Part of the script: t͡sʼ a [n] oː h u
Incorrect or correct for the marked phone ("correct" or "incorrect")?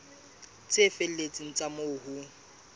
incorrect